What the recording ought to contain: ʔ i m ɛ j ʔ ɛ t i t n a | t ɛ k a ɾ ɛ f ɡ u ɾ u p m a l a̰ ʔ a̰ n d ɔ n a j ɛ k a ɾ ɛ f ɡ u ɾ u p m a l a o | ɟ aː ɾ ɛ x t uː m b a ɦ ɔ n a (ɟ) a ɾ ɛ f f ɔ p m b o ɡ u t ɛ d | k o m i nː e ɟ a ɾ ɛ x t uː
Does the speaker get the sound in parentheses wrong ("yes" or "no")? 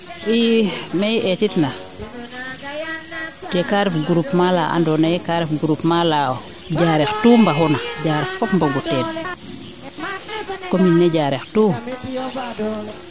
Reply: no